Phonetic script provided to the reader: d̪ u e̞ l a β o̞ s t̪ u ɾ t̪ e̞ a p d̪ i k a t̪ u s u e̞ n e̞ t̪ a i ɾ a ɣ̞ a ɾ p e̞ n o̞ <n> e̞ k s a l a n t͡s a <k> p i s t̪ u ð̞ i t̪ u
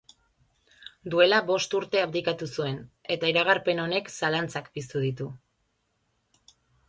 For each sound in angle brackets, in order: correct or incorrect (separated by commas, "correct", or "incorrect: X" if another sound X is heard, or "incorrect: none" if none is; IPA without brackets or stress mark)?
correct, correct